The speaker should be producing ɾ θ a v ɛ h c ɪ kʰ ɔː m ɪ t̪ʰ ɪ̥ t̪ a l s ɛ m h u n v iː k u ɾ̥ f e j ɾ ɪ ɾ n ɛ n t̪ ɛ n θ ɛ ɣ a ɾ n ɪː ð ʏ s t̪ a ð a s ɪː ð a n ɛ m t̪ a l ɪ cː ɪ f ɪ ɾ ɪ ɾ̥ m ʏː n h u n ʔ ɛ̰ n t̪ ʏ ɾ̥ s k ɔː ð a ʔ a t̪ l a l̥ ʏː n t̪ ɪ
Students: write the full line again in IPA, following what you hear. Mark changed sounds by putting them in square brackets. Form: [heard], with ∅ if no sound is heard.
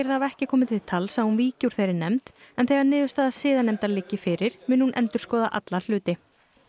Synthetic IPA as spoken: ɾ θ a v ɛ h c ɪ kʰ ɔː m ɪ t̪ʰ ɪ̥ [t̪ʰ] a l s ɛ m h u n v iː [c] u ɾ̥ [θ] e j ɾ ɪ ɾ n ɛ [m] t̪ ɛ n θ ɛ ɣ a ɾ n ɪː ð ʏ s t̪ a ð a s ɪː ð a n ɛ m t̪ a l ɪ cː ɪ f ɪ ɾ ɪ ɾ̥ m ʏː n h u n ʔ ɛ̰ n t̪ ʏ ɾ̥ s k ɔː ð a ʔ a t̪ l a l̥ ʏː [∅] t̪ ɪ